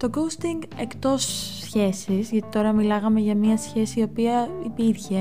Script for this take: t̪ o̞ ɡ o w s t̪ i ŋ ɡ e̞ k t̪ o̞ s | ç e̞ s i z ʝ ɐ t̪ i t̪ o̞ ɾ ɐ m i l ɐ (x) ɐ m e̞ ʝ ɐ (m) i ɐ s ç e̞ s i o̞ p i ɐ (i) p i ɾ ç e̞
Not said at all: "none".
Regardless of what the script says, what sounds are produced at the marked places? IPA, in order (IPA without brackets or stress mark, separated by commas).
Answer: ɣ, m, i